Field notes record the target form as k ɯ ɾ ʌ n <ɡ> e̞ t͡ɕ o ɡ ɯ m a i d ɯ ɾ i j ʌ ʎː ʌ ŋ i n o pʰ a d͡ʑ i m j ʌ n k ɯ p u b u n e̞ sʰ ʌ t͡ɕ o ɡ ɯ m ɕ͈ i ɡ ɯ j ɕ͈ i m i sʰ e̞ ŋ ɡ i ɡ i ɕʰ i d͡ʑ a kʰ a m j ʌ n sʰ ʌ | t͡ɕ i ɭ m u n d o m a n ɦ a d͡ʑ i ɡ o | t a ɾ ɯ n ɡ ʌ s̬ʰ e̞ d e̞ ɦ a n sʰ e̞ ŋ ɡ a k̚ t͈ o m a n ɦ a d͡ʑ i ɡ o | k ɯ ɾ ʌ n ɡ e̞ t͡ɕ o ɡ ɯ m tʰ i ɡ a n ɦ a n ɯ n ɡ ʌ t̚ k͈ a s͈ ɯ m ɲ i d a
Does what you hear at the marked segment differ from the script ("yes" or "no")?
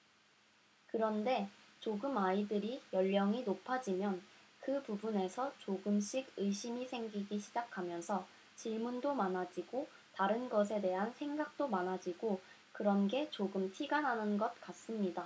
yes